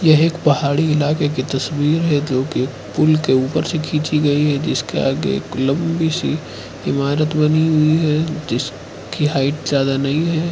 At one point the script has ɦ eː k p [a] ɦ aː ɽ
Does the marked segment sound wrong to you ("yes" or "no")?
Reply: yes